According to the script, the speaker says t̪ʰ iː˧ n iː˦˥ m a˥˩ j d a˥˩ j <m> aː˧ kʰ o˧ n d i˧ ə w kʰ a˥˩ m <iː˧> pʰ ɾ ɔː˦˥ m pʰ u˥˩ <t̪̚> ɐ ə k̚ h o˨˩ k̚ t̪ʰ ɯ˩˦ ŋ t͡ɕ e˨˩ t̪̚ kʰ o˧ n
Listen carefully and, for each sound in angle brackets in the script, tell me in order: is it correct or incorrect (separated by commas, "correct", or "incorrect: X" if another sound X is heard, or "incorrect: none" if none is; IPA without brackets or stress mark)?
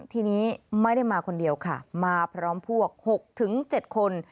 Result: correct, incorrect: aː˧, incorrect: none